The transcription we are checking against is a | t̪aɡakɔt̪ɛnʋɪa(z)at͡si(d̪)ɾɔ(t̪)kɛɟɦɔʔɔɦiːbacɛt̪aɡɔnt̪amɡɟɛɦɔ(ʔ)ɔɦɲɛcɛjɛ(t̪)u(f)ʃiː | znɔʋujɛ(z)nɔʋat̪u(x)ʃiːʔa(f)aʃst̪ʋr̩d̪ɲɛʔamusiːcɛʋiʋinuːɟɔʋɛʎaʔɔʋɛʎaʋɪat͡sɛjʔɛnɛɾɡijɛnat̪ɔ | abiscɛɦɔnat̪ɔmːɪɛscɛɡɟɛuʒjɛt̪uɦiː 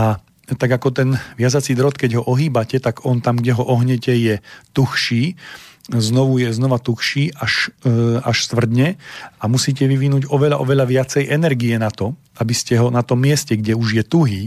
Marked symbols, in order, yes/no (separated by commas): yes, yes, yes, yes, yes, no, yes, yes, no